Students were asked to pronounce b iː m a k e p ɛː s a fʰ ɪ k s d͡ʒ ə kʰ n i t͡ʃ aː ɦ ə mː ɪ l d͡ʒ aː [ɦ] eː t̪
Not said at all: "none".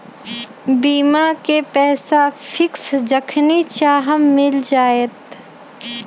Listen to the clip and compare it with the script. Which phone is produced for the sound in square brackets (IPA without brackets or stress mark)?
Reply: none